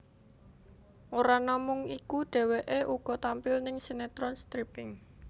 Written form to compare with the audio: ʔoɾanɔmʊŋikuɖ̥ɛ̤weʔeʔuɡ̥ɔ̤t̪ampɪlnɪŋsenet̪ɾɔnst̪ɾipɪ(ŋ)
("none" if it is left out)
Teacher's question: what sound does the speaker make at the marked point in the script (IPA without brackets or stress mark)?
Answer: ŋ